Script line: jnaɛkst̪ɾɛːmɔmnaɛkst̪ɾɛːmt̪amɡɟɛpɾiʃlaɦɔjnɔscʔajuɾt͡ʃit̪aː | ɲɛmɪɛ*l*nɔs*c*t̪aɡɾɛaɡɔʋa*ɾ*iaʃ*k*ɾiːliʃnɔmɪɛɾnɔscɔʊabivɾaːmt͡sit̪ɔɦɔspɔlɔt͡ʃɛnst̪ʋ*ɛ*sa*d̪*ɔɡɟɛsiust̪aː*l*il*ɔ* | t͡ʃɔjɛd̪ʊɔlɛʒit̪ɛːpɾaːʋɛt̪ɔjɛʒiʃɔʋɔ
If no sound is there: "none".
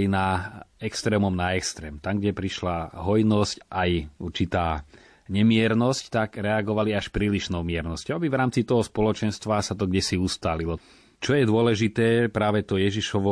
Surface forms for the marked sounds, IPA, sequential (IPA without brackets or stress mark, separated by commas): ɾ, c, l, p, a, t̪, l, ɔ